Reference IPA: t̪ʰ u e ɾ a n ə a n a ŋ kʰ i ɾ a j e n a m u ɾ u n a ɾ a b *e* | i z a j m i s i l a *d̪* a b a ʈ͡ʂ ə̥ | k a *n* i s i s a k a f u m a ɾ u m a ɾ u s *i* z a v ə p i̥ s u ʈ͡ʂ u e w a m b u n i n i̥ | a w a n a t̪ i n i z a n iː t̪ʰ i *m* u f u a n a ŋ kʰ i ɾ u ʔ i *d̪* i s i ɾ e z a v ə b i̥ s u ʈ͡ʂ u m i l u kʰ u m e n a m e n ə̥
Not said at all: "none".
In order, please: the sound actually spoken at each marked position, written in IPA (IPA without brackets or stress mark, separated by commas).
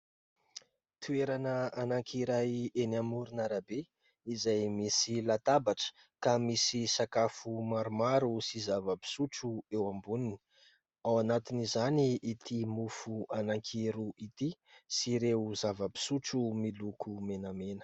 e, t̪, m, i, m, t̪